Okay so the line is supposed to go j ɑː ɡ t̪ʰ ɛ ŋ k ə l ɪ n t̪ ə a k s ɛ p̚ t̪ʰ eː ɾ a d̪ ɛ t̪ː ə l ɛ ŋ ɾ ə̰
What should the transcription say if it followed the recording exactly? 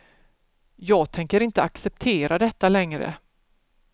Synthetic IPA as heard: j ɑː ɡ t̪ʰ ɛ ŋ k ə ɾ ɪ n t̪ ə a k s ɛ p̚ t̪ʰ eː ɾ a d̪ ɛ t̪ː a l ɛ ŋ ɾ ə̰